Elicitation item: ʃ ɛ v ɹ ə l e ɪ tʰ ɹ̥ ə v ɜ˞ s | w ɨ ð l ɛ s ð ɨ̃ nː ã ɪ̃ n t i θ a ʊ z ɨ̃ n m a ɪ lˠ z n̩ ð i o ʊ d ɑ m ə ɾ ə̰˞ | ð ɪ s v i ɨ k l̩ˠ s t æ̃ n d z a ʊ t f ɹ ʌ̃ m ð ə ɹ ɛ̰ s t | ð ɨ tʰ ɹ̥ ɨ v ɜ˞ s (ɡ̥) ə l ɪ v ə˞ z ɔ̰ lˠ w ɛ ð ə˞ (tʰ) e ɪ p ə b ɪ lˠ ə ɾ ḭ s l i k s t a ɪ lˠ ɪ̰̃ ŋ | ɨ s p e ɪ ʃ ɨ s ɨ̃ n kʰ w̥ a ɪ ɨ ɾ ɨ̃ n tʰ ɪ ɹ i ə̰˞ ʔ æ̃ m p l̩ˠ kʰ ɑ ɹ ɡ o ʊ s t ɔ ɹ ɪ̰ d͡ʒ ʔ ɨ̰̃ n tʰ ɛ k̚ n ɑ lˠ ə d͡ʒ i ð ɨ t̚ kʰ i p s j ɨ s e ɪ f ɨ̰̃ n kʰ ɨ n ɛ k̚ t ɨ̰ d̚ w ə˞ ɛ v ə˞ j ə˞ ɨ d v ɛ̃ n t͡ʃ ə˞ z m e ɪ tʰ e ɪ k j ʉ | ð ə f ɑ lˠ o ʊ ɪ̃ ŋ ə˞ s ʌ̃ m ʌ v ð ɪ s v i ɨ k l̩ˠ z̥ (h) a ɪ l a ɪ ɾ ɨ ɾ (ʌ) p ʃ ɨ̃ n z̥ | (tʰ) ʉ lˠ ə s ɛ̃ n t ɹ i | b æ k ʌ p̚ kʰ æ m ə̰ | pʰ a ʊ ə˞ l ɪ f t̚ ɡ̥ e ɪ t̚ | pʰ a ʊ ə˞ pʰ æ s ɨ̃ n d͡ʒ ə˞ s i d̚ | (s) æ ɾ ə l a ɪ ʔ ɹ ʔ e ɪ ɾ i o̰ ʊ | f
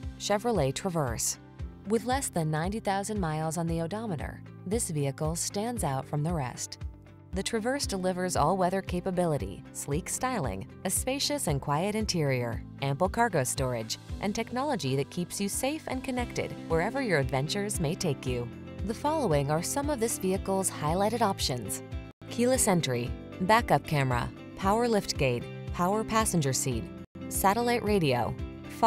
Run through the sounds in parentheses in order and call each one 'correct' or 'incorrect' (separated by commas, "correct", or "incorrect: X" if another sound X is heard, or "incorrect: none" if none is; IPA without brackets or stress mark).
incorrect: d̥, incorrect: kʰ, correct, incorrect: ɑ, incorrect: kʰ, correct